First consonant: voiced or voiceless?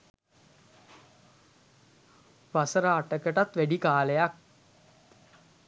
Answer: voiced